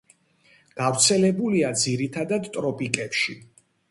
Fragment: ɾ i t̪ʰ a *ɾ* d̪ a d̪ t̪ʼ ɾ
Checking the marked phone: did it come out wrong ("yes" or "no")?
yes